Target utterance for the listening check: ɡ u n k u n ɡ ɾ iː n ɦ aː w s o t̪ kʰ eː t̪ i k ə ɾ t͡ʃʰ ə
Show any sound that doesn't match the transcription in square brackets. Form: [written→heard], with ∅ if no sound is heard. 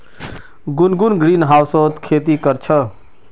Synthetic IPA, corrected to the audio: ɡ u n [k→ɡ] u n ɡ ɾ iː n ɦ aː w s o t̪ kʰ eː t̪ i k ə ɾ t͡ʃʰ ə